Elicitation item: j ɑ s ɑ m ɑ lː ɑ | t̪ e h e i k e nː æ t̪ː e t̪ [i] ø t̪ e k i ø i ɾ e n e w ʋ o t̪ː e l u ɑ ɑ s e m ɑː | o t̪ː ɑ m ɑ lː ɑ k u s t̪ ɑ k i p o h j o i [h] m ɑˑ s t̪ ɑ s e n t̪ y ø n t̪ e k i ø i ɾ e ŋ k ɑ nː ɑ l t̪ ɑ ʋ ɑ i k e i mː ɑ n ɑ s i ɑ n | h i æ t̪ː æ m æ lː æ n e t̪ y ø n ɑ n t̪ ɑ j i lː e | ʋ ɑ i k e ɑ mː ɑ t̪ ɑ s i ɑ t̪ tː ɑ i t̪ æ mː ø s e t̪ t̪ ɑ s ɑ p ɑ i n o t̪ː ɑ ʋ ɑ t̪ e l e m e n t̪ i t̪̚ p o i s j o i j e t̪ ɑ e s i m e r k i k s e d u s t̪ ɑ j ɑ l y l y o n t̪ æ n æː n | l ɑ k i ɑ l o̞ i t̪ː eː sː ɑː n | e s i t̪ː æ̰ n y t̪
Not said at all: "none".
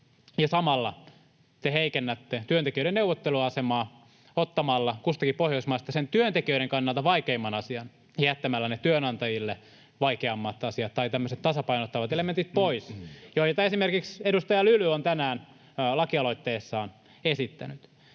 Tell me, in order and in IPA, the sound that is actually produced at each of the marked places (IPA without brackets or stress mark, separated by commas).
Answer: y, s